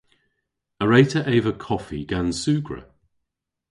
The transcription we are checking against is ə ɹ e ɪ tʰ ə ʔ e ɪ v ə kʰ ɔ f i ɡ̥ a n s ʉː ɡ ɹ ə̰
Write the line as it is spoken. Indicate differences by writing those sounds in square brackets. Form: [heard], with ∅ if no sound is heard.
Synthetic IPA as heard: ə ɹ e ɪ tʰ ə ʔ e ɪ v ə kʰ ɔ f i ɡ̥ a n s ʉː ɡ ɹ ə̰